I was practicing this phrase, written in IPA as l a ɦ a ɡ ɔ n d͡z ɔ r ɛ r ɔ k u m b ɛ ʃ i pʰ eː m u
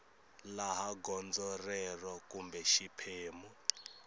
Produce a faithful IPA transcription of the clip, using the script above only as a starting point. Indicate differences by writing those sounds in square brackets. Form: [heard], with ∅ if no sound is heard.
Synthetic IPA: l a ɦ a ɡ ɔ n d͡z ɔ r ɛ r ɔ k u m b ɛ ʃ i pʰ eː m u

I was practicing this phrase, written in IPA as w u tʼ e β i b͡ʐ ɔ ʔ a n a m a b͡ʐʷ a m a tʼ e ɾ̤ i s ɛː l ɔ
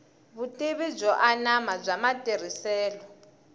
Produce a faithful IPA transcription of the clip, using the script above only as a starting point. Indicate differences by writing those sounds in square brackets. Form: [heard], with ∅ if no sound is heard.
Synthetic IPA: [β] u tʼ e β i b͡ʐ ɔ ʔ a n a m a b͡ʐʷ a m a tʼ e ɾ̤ i s ɛː l ɔ

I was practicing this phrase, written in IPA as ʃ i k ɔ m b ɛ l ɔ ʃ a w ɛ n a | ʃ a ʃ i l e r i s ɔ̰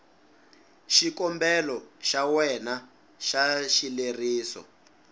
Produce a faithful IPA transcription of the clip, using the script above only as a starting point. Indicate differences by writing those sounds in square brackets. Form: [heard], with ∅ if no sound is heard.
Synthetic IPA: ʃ i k ɔ m b ɛ l ɔ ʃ a w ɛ n a | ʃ a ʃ i l e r [iː] s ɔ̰

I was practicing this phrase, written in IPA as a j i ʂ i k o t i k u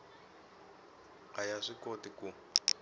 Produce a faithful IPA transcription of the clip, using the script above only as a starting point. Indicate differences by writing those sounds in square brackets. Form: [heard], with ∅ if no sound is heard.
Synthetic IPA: a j [a] ʂ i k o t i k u

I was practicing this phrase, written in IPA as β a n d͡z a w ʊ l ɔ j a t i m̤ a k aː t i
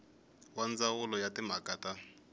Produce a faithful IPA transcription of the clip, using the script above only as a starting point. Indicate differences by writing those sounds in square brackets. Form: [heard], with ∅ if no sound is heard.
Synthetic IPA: [w] a n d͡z a w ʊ l ɔ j a t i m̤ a k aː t [a]

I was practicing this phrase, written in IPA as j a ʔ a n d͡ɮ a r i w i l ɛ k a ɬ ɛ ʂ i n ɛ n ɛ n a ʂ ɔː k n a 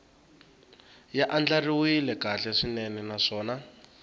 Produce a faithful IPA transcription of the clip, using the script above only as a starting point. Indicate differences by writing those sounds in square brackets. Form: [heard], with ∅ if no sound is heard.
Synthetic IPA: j a ʔ a n d͡ɮ a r i w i l ɛ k a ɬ ɛ ʂ i n ɛ n ɛ n a ʂ ɔː [∅] n a

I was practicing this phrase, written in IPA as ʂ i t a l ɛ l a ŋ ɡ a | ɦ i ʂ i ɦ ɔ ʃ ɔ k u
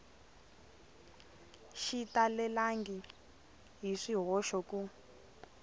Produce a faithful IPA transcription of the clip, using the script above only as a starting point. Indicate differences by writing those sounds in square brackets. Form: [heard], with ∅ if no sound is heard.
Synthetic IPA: [ʃ] i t a l ɛ l a ŋ ɡ [i] | ɦ i ʂ i ɦ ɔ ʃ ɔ k u

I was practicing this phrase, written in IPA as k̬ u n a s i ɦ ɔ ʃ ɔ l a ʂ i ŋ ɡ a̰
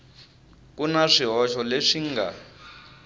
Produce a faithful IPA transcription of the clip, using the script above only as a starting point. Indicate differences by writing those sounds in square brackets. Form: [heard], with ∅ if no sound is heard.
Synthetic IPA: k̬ u n a [ʂ] i ɦ ɔ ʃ ɔ l [e] ʂ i ŋ ɡ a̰

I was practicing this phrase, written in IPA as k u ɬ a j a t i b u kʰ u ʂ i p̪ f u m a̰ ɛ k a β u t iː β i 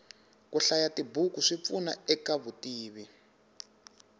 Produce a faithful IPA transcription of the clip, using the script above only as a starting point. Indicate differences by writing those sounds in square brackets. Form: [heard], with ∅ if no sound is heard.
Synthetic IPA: k u ɬ a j a t i b u [k] u ʂ i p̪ f u [n] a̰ ɛ k a β u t iː β i

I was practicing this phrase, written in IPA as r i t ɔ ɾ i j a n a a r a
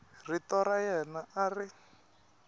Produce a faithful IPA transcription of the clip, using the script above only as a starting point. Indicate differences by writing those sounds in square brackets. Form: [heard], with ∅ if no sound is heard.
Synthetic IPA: r i t ɔ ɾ [a] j [ɛ] n a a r [i]

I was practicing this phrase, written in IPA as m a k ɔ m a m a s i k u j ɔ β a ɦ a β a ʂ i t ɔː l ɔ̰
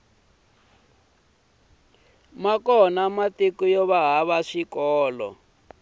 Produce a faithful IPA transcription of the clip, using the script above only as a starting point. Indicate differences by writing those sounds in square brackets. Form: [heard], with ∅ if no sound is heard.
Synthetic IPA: m a k ɔ [n] a m a [t] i k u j ɔ β a ɦ a β a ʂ i [k] ɔː l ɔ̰

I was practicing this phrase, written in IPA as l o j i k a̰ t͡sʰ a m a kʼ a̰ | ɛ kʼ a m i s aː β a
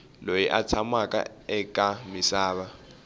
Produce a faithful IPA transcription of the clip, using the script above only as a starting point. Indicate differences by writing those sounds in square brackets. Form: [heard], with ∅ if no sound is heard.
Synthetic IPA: l o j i [ʔ] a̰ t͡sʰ a m a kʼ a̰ | ɛ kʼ a m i s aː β a

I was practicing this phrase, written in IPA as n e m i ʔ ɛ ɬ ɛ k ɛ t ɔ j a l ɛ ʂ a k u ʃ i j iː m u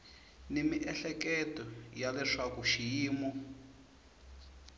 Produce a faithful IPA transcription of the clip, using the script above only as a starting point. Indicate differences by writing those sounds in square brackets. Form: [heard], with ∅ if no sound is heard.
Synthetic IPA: n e m i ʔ ɛ ɬ ɛ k ɛ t ɔ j a l ɛ ʂ a k u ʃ i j iː m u

